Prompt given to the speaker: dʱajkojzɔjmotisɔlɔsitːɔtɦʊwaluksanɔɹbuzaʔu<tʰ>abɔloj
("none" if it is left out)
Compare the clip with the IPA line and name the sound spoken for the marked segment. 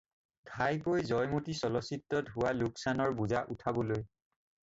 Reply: tʰ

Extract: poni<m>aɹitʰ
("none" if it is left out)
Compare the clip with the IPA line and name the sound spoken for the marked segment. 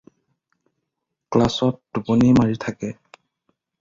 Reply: m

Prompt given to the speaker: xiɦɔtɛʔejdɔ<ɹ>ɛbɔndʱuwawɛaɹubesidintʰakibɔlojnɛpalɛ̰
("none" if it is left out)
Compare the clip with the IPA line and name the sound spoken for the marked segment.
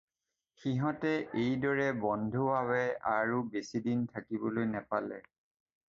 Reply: ɹ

